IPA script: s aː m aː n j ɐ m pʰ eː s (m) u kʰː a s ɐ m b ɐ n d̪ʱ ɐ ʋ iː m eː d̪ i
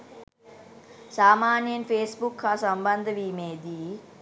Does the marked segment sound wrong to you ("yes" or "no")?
yes